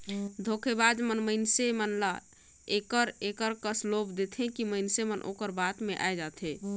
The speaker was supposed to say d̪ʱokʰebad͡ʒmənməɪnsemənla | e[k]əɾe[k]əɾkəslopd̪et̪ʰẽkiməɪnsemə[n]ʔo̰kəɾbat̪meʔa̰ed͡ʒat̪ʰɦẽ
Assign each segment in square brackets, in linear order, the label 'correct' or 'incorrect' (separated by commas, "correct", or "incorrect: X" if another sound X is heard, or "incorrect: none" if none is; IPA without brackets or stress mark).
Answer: correct, correct, correct